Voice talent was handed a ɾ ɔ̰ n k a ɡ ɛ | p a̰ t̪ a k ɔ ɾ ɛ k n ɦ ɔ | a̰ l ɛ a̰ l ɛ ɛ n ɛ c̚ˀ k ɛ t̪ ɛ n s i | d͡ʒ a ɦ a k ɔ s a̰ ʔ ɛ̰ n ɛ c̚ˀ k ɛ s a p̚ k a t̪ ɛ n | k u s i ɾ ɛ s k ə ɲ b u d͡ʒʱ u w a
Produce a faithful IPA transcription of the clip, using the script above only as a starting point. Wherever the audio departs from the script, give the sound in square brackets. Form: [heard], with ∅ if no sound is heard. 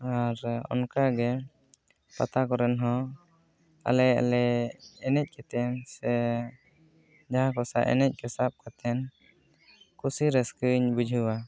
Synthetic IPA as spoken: a ɾ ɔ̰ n k a ɡ ɛ | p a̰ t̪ a k ɔ ɾ ɛ [∅] n ɦ ɔ | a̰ l ɛ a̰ l ɛ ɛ n ɛ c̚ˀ k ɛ t̪ ɛ n s [ɛ] | d͡ʒ a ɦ a k ɔ s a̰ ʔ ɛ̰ n ɛ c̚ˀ k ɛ s a p̚ k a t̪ ɛ n | k u s i ɾ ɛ s k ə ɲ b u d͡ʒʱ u w a

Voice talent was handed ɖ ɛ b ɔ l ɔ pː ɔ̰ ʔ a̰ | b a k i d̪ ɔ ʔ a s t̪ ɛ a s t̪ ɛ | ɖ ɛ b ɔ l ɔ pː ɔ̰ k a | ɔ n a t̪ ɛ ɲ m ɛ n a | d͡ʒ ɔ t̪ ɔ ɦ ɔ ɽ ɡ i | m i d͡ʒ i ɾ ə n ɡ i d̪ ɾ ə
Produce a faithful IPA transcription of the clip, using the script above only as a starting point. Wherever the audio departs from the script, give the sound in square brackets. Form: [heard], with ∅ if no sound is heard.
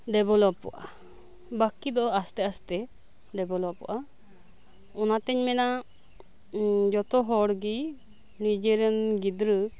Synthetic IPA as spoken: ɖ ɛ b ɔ l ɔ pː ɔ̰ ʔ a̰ | b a k i d̪ ɔ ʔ a s t̪ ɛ a s t̪ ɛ | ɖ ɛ b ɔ l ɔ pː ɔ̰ [ʔ] a | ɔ n a t̪ ɛ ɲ m ɛ n a | d͡ʒ ɔ t̪ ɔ ɦ ɔ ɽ ɡ i | [n] i d͡ʒ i ɾ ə n ɡ i d̪ ɾ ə

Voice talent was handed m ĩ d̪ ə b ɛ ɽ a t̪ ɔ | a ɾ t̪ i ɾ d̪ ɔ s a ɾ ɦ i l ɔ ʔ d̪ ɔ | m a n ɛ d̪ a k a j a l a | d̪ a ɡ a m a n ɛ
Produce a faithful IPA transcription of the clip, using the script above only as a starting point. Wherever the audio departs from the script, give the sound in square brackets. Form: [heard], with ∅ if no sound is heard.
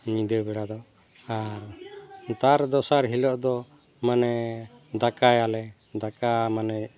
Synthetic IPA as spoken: [ɲ] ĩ d̪ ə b ɛ ɽ a [d̪] ɔ | a ɾ t̪ [a] ɾ d̪ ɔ s a ɾ ɦ i l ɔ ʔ d̪ ɔ | m a n ɛ d̪ a k a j a l [ɛ] | d̪ a [k] a m a n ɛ

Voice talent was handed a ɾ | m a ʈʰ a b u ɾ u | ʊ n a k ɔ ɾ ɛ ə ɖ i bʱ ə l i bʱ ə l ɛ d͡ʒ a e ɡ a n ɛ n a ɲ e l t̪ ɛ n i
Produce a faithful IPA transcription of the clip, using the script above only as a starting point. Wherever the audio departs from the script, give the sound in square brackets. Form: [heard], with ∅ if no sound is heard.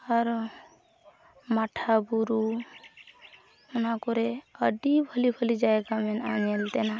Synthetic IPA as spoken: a ɾ | m a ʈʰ a b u ɾ u | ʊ n a k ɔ ɾ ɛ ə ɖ i bʱ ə l i bʱ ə l [i] d͡ʒ a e ɡ a [m] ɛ n a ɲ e l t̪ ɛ n [a]

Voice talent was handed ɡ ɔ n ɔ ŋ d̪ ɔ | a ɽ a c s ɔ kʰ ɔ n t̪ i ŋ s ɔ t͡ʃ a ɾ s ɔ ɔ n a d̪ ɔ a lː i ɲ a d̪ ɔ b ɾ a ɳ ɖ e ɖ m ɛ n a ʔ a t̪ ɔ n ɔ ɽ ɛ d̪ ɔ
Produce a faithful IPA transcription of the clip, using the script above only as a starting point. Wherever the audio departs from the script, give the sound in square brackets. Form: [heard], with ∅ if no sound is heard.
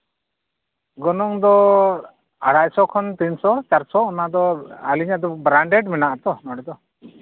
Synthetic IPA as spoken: ɡ ɔ n ɔ ŋ d̪ ɔ | a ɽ a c s ɔ kʰ ɔ n t̪ i [n] s ɔ t͡ʃ a ɾ s ɔ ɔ n a d̪ ɔ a [l] i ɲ a d̪ ɔ b ɾ a ɳ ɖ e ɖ m ɛ n a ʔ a t̪ ɔ n ɔ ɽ ɛ d̪ ɔ

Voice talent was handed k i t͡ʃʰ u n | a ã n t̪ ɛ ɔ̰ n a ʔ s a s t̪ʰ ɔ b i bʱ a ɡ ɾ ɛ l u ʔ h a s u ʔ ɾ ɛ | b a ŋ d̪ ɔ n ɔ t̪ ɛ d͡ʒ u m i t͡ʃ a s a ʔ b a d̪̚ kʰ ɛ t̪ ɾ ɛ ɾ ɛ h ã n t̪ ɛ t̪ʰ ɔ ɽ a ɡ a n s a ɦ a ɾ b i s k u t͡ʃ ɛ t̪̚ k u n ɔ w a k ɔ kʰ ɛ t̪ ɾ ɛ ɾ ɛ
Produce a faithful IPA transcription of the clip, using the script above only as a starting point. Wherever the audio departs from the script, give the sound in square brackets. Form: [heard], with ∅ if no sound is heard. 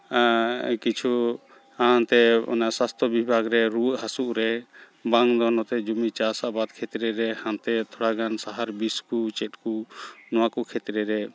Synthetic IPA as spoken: k i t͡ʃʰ u [∅] | a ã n t̪ ɛ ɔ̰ n a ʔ s a s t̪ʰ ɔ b i bʱ a ɡ ɾ ɛ [ɾ] u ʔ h a s u ʔ ɾ ɛ | b a ŋ d̪ ɔ n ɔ t̪ ɛ d͡ʒ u m i t͡ʃ a s a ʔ b a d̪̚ kʰ ɛ t̪ ɾ ɛ ɾ ɛ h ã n t̪ ɛ t̪ʰ ɔ ɽ a ɡ a n s a ɦ a ɾ b i s k u t͡ʃ ɛ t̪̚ k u n ɔ w a k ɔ kʰ ɛ t̪ ɾ ɛ ɾ ɛ

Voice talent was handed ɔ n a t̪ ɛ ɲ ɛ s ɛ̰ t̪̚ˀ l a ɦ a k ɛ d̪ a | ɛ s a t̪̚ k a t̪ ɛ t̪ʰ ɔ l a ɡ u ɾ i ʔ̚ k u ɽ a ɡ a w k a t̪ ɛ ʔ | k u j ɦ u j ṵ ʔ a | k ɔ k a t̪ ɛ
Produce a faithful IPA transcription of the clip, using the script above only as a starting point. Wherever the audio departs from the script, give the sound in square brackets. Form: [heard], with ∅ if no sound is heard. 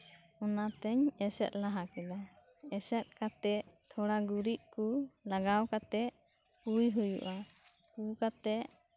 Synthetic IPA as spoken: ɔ n a t̪ ɛ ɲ ɛ s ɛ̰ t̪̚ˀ l a ɦ a k ɛ d̪ a | ɛ s [ɛ] t̪̚ k a t̪ ɛ t̪ʰ ɔ [ɽ] a ɡ u ɾ i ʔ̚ k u [l] a ɡ a w k a t̪ ɛ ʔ | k u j ɦ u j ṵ ʔ a | k [u] k a t̪ ɛ

